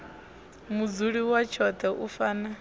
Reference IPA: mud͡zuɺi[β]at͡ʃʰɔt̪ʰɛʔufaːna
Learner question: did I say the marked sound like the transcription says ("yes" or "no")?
no